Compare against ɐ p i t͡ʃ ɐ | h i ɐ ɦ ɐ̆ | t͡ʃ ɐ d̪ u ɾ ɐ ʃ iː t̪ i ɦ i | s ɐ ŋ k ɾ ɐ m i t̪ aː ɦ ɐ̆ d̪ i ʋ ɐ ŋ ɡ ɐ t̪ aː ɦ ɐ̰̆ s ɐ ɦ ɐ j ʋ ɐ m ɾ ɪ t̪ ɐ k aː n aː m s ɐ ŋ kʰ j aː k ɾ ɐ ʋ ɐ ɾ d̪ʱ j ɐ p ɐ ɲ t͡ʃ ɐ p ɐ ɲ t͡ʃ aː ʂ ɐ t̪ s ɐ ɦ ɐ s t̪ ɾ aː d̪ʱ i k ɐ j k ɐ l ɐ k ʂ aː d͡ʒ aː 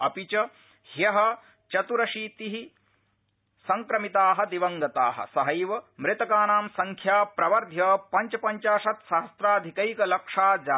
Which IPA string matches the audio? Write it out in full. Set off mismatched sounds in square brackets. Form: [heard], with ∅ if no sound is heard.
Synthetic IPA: ɐ p i t͡ʃ ɐ | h [j] ɐ ɦ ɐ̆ | t͡ʃ ɐ [t̪] u ɾ ɐ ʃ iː t̪ i ɦ i | s ɐ ŋ k ɾ ɐ m i t̪ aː ɦ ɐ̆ d̪ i ʋ ɐ ŋ ɡ ɐ t̪ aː ɦ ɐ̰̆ s ɐ ɦ ɐ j ʋ ɐ m ɾ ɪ t̪ ɐ k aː n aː m s ɐ ŋ kʰ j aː [p] ɾ ɐ ʋ ɐ ɾ d̪ʱ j ɐ p ɐ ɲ t͡ʃ ɐ p ɐ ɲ t͡ʃ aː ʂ ɐ t̪ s ɐ ɦ ɐ s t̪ ɾ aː d̪ʱ i k ɐ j k ɐ l ɐ k ʂ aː d͡ʒ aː